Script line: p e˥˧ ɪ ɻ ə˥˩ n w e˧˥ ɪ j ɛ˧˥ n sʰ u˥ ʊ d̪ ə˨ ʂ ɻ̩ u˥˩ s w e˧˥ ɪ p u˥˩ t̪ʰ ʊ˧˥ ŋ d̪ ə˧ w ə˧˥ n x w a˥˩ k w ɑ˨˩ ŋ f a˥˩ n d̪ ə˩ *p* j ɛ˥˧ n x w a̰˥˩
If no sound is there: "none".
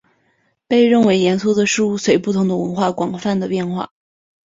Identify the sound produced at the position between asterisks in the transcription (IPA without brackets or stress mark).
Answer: p